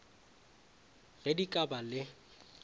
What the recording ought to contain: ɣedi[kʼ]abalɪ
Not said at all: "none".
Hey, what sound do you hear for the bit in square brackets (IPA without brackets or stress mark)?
kʼ